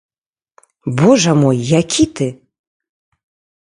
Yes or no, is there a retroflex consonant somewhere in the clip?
yes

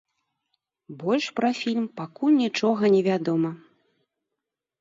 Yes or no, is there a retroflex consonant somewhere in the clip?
yes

